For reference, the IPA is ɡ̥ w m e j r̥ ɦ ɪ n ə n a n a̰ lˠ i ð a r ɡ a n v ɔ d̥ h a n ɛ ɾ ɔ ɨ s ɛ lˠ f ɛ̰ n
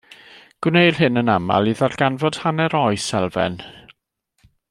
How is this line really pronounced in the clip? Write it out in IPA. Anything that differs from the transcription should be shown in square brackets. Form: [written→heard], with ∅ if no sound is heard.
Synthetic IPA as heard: ɡ̥ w [m→n] e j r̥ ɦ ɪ n ə n a [n→m] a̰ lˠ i ð a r ɡ a n v ɔ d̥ h a n ɛ ɾ ɔ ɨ s ɛ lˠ [f→v] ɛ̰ n